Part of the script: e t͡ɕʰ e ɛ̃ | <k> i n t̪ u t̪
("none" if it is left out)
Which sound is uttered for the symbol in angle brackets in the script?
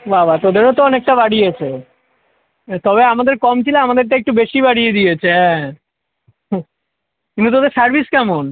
k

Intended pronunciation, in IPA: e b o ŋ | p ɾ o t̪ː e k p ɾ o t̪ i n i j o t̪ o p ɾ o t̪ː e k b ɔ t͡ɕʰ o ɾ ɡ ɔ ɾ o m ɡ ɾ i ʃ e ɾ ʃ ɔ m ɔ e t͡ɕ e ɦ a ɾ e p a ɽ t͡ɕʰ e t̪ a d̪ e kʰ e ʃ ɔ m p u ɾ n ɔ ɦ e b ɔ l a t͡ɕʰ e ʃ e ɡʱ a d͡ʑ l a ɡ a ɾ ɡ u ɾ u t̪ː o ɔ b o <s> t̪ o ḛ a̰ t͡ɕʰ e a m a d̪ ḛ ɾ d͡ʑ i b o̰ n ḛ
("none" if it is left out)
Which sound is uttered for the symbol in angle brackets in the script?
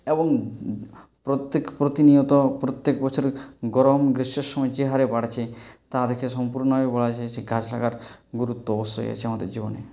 s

